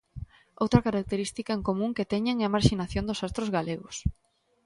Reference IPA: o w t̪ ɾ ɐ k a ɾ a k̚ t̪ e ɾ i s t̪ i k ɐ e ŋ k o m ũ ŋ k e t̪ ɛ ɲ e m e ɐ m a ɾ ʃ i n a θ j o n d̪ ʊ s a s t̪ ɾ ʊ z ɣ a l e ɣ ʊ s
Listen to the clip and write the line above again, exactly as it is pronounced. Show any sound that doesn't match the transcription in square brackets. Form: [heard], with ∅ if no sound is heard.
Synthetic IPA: o w t̪ ɾ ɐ k a ɾ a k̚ t̪ e ɾ i s t̪ i k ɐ e ŋ k o m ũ ŋ k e t̪ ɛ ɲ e [ŋ] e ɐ m a ɾ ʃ i n a θ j o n d̪ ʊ s a s t̪ ɾ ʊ z ɣ a l e ɣ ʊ s